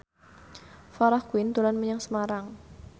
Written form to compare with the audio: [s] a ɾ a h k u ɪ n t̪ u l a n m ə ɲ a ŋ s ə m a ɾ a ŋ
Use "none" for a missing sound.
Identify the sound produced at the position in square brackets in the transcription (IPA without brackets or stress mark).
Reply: f